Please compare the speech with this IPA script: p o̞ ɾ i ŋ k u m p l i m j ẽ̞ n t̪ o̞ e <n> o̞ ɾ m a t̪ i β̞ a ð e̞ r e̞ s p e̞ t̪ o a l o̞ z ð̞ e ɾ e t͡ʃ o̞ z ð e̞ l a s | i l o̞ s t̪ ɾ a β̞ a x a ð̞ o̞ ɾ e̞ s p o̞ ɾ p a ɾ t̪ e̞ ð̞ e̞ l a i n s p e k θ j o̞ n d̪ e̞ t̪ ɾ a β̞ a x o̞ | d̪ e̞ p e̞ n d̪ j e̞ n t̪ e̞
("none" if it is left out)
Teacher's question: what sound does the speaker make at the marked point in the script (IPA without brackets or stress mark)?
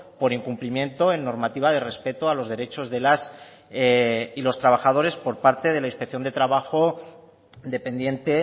nː